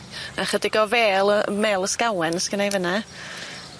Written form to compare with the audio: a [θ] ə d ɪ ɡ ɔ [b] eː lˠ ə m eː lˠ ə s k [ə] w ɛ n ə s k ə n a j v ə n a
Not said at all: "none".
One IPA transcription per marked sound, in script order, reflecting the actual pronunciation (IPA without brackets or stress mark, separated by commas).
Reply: χ, v, a